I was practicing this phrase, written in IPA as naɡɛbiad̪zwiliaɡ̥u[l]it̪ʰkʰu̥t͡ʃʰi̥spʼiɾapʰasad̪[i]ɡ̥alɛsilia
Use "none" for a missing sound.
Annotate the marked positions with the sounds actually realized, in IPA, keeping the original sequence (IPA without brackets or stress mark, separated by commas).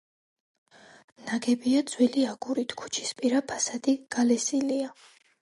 ɾ, i